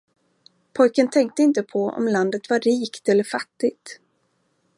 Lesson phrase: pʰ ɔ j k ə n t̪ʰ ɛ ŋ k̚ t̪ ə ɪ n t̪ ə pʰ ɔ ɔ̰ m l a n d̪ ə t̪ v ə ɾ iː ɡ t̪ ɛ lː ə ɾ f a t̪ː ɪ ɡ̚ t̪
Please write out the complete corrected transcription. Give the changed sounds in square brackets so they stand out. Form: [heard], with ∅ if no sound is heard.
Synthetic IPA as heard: pʰ ɔ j k ə n t̪ʰ ɛ ŋ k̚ t̪ ə ɪ n t̪ ə pʰ ɔ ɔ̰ m l a n d̪ ə t̪ v [a] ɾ iː [k] t̪ ɛ lː ə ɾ f a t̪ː ɪ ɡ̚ t̪